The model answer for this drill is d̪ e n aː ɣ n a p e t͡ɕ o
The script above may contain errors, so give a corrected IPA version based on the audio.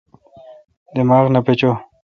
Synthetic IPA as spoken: d̪ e m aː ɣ n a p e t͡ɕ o